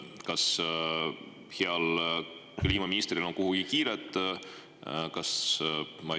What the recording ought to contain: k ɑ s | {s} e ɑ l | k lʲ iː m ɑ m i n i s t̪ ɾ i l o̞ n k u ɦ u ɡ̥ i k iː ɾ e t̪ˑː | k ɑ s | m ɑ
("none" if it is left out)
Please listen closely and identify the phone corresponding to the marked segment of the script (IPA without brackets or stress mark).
h